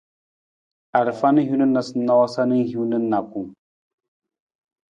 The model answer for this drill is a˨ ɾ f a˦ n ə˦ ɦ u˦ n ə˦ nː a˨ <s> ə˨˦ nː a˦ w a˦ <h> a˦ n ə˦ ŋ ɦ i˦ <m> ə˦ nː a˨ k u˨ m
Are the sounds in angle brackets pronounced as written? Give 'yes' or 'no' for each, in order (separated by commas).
yes, no, no